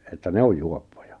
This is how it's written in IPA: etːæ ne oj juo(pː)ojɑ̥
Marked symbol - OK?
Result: yes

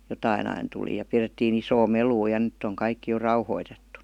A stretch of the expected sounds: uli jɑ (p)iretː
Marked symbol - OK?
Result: yes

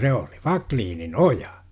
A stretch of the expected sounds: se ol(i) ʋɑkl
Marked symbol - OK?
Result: yes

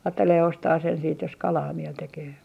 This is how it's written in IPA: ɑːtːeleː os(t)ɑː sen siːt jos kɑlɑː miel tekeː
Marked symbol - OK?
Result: yes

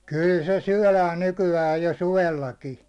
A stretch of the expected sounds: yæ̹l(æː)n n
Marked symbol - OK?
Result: yes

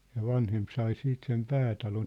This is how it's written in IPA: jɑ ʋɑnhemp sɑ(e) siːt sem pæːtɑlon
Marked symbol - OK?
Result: no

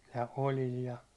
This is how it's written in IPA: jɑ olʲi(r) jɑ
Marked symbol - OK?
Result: no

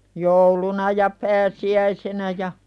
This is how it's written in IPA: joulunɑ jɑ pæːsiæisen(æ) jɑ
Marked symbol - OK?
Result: yes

